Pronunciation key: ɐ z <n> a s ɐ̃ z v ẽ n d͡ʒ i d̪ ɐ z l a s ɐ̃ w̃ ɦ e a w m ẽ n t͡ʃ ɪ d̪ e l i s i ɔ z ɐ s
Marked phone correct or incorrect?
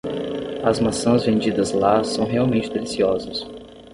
incorrect: m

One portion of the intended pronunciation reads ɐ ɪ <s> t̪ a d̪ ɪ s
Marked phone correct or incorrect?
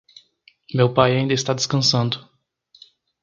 correct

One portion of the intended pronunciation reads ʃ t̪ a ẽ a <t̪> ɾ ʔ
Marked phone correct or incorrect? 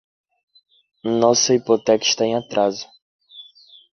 correct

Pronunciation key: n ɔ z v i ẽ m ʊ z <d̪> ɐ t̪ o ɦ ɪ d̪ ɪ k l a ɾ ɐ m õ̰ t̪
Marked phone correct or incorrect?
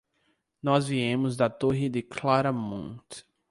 correct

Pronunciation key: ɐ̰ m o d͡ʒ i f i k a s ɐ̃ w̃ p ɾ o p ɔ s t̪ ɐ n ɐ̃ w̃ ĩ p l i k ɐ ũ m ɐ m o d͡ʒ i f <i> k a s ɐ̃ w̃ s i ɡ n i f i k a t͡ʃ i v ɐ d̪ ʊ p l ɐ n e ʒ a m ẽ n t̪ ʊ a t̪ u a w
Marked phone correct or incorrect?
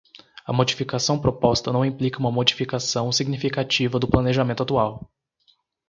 correct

